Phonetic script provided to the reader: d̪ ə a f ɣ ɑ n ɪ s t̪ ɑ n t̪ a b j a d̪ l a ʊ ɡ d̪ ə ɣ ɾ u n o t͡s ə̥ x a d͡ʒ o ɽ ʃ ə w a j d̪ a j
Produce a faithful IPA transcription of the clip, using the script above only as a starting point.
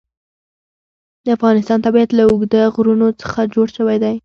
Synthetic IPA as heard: d̪ ə a f ɣ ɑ n ɪ s t̪ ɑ n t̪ a b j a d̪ l a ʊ ɡ d̪ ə ɣ ɾ u n o t͡s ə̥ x a d͡ʒ o ɽ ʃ ə w a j d̪ a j